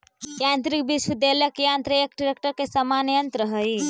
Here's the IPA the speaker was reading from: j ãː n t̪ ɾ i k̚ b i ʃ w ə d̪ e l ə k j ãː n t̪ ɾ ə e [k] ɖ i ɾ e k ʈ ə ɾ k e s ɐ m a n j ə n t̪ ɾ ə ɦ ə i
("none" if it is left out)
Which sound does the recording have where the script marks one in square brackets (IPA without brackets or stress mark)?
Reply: k